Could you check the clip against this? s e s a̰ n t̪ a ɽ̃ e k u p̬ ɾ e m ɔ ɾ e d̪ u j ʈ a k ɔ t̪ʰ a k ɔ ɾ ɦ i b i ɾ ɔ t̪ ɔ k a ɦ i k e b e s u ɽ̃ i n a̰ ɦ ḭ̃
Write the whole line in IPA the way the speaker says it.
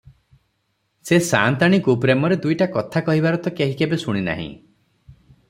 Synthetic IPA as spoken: s e s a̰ n t̪ a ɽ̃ i k u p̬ ɾ e m ɔ ɾ e d̪ u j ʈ a k ɔ t̪ʰ a k ɔ ɦ i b a ɾ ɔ t̪ ɔ k e ɦ i k e b e s u ɽ̃ i n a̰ ɦ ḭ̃